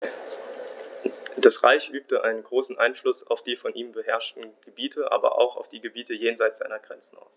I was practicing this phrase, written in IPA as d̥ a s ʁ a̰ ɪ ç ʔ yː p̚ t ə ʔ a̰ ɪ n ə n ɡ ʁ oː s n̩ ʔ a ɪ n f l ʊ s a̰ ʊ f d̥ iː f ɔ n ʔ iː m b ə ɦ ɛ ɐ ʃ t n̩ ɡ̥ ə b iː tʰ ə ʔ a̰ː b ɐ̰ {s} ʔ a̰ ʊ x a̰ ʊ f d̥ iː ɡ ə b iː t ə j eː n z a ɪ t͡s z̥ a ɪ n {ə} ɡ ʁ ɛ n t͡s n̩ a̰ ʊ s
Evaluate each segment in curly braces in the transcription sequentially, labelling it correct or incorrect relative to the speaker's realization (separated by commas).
incorrect, incorrect